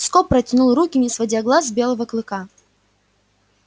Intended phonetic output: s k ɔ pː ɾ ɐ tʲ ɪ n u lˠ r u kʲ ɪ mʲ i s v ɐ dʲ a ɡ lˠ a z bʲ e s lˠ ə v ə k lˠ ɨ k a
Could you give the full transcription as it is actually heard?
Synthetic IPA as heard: s k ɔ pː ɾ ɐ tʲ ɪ n u lˠ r u kʲ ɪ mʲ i s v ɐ dʲ a ɡ lˠ a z bʲ e lˠ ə v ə k lˠ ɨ k a